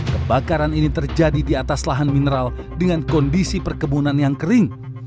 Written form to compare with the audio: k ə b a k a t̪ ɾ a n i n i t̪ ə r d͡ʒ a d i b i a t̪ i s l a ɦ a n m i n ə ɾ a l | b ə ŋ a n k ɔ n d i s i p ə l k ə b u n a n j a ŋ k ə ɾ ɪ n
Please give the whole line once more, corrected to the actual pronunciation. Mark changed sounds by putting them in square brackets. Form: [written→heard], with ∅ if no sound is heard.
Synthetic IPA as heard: k ə b a k a [t̪→∅] ɾ a n i n i t̪ ə r d͡ʒ a d i [b→d] i a t̪ [i→a] s l a ɦ a n m i n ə ɾ a l | [b→d] ə ŋ a n k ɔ n d i s i p ə [l→r] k ə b u n a n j a ŋ k ə ɾ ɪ [n→ŋ]